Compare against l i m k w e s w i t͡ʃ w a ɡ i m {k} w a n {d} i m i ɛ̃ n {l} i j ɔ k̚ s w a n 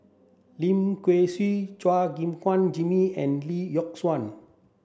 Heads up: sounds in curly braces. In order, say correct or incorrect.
correct, incorrect: d͡ʒ, correct

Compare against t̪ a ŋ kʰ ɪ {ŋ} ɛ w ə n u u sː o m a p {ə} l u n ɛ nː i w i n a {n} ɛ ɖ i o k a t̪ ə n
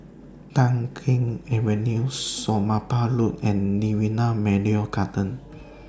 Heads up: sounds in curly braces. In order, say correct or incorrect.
correct, incorrect: a, incorrect: m

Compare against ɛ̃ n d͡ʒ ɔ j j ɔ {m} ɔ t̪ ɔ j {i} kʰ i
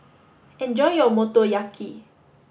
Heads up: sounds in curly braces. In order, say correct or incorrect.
correct, incorrect: a

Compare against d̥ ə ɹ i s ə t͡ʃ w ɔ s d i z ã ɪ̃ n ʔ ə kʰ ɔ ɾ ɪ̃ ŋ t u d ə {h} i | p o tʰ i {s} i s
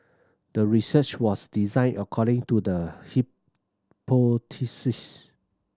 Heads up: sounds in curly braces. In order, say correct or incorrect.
correct, correct

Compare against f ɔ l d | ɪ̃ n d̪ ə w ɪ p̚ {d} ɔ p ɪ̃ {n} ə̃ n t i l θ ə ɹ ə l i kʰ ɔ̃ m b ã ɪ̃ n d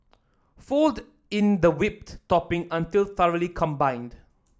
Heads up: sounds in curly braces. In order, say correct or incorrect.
incorrect: t, incorrect: ŋ

